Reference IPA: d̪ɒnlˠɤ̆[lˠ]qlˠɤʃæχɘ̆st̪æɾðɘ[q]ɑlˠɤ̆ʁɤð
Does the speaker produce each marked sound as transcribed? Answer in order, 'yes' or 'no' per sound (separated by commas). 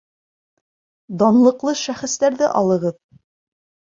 no, no